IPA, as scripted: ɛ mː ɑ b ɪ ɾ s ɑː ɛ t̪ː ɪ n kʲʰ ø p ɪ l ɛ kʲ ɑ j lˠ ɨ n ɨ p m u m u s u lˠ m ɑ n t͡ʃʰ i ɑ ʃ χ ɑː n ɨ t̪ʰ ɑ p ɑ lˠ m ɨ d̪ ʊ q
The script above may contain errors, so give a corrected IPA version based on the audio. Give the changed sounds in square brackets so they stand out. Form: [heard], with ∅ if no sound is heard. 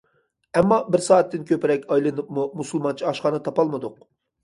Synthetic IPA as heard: ɛ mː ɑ b ɪ ɾ s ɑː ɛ t̪ː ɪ n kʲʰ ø p ɪ [ɾ] ɛ kʲ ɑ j lˠ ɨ n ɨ p m u m u s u lˠ m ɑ n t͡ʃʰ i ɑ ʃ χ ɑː n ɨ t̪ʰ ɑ p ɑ lˠ m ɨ d̪ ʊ q